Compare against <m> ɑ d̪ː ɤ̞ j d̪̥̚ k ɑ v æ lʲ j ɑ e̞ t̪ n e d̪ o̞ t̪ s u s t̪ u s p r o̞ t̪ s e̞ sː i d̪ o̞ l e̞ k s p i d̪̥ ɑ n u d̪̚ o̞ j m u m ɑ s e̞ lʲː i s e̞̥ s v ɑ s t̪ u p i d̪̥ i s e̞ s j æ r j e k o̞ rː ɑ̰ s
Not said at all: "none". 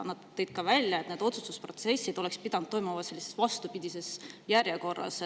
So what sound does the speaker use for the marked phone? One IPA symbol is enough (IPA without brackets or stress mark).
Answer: n